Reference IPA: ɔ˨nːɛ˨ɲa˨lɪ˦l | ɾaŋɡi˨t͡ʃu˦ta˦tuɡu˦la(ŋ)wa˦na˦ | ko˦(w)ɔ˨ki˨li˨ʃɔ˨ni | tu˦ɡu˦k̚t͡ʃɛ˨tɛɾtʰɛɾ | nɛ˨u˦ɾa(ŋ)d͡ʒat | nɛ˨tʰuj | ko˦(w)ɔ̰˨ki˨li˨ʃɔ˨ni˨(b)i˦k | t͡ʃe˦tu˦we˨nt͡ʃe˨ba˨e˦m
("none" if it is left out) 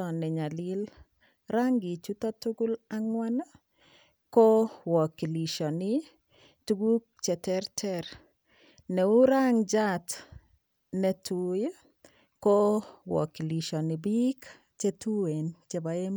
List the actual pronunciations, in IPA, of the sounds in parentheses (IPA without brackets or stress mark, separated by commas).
ŋ, w, ŋ, w, b